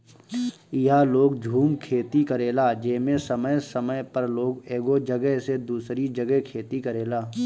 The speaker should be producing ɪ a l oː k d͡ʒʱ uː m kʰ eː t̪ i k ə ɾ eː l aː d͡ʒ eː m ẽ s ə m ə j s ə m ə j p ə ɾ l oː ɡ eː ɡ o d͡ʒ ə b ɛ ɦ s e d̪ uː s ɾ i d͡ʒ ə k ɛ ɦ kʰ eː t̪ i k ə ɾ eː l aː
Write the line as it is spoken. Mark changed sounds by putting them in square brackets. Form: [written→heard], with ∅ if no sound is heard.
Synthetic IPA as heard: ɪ a l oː [k→ɡ] d͡ʒʱ uː m kʰ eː t̪ i k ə ɾ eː l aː d͡ʒ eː m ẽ s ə m ə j s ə m ə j p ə ɾ l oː ɡ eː ɡ o d͡ʒ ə [b→ɡ] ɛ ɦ s e d̪ uː s ɾ i d͡ʒ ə [k→ɡ] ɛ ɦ kʰ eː t̪ i k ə ɾ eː l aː